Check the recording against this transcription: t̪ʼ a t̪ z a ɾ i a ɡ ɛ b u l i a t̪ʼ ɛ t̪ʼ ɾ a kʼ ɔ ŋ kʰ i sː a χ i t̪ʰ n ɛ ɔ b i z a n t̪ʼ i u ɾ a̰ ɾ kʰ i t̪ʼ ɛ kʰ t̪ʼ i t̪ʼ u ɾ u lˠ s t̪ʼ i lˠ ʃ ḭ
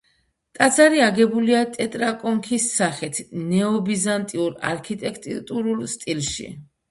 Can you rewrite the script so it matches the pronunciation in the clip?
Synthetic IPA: t̪ʼ a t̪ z a ɾ i a ɡ ɛ b u l i a t̪ʼ ɛ t̪ʼ ɾ a kʼ ɔ ŋ kʰ i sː a χ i t̪ʰ n ɛ ɔ b i z a n t̪ʼ i u ɾ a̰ ɾ kʰ i t̪ʼ ɛ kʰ t̪ʼ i t̪ʼ u ɾ u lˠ s t̪ʼ i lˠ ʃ ḭ